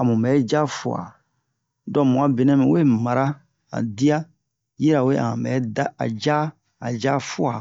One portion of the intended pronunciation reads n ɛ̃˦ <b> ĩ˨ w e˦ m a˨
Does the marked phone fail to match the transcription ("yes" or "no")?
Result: yes